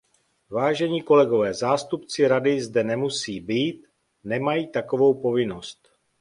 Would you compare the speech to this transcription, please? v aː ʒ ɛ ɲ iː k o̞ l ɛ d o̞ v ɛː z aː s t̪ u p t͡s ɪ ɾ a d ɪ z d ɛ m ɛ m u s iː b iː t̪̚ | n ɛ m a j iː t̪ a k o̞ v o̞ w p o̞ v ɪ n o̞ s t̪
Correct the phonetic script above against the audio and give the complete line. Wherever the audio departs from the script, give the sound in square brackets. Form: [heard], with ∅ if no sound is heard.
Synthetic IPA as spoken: v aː ʒ ɛ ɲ iː k o̞ l ɛ [ɡ] o̞ v ɛː z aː s t̪ u p t͡s ɪ ɾ a d ɪ z d ɛ [n] ɛ m u s iː b iː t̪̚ | n ɛ m a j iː t̪ a k o̞ v o̞ w p o̞ v ɪ n o̞ s t̪